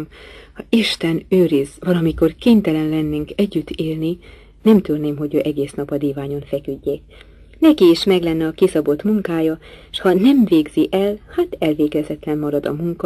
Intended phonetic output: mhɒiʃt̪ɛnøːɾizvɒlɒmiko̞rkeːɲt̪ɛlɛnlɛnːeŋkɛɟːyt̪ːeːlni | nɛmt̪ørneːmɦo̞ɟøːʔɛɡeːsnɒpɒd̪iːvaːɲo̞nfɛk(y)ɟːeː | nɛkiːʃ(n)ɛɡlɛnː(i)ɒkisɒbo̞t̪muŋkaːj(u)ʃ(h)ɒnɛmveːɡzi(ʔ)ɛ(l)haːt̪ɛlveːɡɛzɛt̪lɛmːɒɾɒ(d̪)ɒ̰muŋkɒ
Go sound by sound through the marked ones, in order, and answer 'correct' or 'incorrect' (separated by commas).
correct, incorrect, incorrect, incorrect, correct, correct, correct, correct